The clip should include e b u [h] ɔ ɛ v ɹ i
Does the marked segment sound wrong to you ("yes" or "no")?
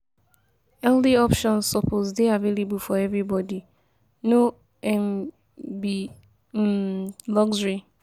yes